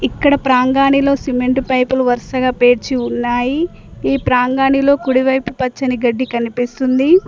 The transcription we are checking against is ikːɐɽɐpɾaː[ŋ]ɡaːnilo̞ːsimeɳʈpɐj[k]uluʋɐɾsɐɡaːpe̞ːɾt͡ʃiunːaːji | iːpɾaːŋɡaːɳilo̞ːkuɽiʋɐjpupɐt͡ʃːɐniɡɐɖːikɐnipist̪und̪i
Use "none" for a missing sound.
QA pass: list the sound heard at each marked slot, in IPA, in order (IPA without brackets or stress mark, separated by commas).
ŋ, p